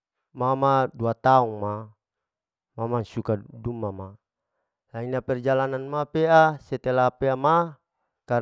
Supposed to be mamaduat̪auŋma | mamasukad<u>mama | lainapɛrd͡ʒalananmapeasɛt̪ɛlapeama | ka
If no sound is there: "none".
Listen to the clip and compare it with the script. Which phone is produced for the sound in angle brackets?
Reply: u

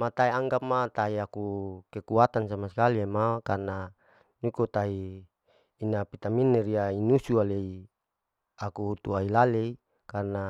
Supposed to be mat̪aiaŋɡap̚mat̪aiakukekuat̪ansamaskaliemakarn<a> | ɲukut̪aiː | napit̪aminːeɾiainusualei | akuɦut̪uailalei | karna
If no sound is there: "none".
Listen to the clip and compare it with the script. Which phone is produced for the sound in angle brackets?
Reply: a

